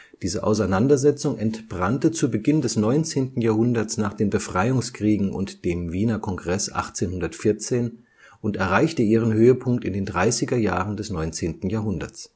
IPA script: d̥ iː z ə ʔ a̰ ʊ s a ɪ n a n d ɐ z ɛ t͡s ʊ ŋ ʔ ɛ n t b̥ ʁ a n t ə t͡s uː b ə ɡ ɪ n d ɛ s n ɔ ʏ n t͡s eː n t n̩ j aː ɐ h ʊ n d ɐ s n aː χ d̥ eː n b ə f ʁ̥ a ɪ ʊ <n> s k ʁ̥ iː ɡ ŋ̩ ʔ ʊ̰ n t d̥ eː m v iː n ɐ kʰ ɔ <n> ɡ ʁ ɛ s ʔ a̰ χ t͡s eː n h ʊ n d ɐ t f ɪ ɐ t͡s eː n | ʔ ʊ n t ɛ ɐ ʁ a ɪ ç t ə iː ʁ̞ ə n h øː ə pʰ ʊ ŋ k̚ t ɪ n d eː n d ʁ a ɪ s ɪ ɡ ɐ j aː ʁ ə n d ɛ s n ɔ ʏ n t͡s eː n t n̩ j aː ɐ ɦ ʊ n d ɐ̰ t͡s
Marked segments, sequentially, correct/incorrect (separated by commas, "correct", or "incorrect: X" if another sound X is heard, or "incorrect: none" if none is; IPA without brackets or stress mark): incorrect: ŋ, incorrect: ŋ